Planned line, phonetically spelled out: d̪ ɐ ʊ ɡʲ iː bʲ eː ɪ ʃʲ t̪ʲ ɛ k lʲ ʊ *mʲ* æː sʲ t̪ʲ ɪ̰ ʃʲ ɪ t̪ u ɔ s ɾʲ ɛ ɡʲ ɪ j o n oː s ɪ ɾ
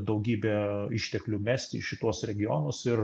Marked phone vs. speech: correct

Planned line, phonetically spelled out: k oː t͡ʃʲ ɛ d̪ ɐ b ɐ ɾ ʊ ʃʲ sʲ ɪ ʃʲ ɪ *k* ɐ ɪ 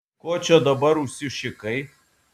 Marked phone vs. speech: correct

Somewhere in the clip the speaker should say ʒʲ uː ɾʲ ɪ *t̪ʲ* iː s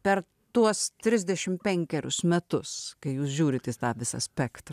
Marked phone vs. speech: correct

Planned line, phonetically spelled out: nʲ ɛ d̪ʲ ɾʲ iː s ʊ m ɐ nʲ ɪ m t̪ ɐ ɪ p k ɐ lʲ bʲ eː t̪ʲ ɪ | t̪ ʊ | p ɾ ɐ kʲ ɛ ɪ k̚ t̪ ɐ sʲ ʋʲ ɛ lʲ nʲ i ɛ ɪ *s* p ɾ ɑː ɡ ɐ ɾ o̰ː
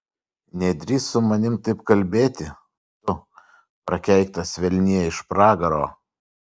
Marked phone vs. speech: incorrect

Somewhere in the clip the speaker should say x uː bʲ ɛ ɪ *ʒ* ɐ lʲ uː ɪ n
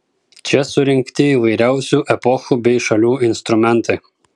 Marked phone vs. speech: incorrect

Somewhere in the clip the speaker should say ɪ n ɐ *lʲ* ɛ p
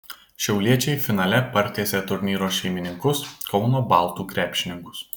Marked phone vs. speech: correct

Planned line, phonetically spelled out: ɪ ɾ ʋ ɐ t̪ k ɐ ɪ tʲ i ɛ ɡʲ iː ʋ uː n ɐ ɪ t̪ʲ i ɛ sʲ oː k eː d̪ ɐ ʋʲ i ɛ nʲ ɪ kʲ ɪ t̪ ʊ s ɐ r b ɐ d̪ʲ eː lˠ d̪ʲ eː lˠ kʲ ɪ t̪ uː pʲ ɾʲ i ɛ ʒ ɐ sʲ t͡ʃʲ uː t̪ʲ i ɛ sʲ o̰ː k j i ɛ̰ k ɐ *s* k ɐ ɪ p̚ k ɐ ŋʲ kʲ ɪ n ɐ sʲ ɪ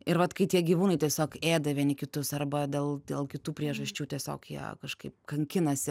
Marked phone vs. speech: incorrect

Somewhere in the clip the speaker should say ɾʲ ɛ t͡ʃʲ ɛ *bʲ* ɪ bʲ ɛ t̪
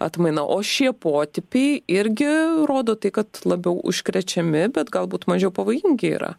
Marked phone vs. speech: incorrect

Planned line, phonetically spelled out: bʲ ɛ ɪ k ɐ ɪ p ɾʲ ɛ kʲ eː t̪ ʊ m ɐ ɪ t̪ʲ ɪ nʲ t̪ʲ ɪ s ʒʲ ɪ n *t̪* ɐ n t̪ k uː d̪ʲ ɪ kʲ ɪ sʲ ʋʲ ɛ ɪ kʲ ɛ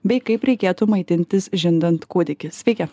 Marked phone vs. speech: incorrect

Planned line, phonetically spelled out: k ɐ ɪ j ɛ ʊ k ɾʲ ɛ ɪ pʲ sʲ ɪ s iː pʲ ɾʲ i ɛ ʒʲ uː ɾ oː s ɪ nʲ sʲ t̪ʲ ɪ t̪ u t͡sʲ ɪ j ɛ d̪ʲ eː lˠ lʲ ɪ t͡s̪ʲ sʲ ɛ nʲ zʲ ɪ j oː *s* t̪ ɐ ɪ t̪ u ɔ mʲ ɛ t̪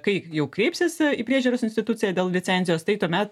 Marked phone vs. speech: correct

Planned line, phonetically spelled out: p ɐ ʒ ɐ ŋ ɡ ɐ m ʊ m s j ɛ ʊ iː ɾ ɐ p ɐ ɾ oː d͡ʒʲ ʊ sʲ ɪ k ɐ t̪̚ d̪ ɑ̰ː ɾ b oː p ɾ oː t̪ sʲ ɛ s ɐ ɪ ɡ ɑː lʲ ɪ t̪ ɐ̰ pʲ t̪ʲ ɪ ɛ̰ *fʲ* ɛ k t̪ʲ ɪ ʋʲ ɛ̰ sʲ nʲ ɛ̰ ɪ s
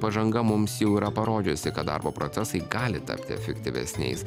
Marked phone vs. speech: correct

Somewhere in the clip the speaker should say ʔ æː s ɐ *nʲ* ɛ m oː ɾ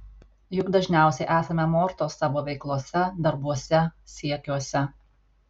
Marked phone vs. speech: incorrect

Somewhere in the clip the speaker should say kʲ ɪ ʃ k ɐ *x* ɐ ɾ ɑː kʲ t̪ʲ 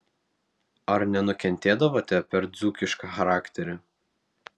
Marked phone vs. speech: correct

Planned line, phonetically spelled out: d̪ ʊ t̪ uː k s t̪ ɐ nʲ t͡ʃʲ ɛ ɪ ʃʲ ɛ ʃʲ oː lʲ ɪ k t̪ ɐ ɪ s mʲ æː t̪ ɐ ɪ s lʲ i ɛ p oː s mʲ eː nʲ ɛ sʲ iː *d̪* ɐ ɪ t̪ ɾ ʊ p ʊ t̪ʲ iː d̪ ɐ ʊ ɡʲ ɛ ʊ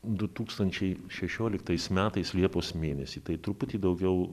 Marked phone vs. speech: incorrect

